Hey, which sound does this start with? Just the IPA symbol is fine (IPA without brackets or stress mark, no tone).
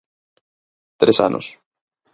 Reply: t̪